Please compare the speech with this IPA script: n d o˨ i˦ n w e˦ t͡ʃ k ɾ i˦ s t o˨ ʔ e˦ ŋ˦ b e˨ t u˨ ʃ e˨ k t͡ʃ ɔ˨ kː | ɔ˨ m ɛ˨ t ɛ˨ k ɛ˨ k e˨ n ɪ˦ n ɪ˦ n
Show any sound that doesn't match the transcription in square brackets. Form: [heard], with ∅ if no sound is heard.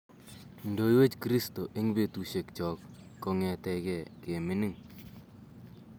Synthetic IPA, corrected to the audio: n d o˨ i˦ [∅] w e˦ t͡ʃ k ɾ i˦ s t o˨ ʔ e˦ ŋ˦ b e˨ t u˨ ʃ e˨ k t͡ʃ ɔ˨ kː | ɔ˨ [ŋ] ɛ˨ t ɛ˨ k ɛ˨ k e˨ [m] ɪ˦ n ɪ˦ [ŋ]